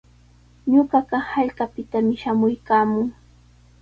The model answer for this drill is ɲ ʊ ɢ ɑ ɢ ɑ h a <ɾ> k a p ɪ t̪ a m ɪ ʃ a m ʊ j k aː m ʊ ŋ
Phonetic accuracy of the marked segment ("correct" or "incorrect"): incorrect